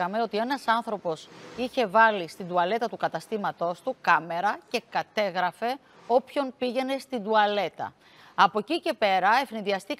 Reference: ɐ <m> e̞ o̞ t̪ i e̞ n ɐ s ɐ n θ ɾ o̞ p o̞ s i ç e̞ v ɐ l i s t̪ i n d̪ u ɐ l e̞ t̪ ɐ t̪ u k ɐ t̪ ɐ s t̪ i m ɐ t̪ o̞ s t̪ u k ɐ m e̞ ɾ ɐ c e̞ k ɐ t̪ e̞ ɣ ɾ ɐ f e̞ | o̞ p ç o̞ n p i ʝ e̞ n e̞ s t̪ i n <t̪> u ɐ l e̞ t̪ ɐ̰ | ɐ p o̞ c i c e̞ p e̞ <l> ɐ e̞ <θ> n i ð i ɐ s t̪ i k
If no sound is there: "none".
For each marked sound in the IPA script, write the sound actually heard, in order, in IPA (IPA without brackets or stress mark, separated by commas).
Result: m, d̪, ɾ, f